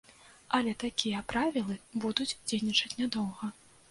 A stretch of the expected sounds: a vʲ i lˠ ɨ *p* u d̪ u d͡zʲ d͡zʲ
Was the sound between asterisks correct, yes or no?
no